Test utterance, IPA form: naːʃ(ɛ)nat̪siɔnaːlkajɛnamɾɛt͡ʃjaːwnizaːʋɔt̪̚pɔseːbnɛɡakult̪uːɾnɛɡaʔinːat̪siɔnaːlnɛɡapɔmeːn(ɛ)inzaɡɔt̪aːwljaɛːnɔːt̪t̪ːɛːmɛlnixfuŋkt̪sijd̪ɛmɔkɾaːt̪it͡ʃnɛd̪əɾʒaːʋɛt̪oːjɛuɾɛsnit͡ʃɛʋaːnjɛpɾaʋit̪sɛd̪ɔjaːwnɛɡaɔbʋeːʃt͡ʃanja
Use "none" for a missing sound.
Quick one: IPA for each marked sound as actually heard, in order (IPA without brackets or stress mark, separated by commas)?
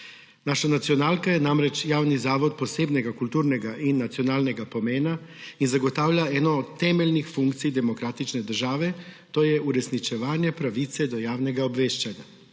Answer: a, a